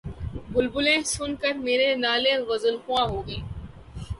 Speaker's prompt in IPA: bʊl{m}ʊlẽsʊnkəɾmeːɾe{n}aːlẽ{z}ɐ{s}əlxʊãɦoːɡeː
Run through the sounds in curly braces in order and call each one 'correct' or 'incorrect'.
incorrect: b, correct, incorrect: ɣ, incorrect: z

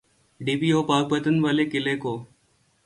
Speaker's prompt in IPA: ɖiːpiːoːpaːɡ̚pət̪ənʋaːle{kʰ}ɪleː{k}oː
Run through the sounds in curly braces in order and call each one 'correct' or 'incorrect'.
incorrect: k, correct

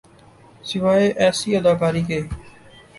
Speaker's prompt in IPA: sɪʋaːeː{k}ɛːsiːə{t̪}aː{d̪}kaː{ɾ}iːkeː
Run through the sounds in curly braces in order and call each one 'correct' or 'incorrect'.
incorrect: ʔ, incorrect: d̪, incorrect: none, correct

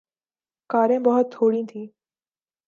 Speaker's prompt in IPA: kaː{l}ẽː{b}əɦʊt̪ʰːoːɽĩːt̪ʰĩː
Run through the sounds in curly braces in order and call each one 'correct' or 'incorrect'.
incorrect: ɾ, correct

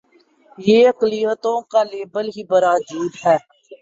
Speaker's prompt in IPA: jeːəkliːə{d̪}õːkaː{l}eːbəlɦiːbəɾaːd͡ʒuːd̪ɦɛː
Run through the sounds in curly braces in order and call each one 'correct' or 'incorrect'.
incorrect: t̪, correct

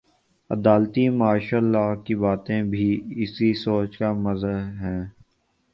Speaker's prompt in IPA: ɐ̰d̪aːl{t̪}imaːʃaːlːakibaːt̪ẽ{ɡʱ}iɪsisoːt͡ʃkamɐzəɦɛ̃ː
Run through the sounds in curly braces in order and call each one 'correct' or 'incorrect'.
correct, incorrect: bʱ

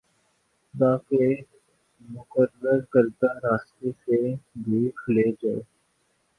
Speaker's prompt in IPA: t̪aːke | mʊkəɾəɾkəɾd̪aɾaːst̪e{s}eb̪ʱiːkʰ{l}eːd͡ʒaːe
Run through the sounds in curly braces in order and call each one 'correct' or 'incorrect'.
correct, correct

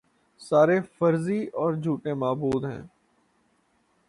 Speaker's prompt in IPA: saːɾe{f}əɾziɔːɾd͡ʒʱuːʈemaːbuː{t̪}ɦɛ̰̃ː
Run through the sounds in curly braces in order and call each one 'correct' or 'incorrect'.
correct, incorrect: d̪

